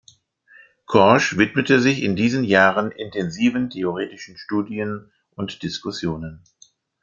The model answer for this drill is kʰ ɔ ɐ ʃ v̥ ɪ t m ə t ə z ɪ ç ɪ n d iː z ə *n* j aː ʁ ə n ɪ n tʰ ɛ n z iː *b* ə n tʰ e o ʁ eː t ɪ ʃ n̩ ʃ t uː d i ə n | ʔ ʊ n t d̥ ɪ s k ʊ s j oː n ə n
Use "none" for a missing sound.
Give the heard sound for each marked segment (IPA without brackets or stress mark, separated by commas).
n, v